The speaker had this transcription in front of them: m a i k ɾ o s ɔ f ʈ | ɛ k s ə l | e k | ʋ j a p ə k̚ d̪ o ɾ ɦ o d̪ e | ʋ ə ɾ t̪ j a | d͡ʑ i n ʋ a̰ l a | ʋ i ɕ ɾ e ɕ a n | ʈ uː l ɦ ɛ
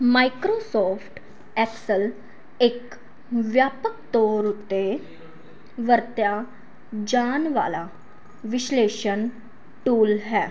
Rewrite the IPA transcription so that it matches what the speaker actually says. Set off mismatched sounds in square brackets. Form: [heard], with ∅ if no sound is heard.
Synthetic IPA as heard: m a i k ɾ o s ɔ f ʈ | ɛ k s ə l | e k | ʋ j a p ə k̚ [t̪] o ɾ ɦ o [t̪] e | ʋ ə ɾ t̪ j a | d͡ʑ [a] n ʋ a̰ l a | ʋ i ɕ [l] e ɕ [ə] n | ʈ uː l ɦ ɛ